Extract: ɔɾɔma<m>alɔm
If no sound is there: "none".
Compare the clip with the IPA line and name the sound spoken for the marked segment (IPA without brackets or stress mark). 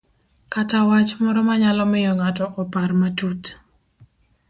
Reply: ɲ